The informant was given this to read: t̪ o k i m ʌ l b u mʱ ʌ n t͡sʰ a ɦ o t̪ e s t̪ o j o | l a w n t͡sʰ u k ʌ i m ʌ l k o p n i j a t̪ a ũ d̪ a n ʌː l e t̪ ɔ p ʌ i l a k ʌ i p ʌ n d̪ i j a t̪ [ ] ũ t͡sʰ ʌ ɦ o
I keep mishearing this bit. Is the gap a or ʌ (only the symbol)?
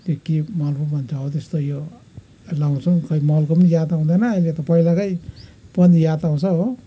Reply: a